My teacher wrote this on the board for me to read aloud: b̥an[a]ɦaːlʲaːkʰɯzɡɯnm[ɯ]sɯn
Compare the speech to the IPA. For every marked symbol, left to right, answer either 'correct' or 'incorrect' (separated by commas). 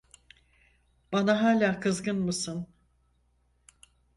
correct, correct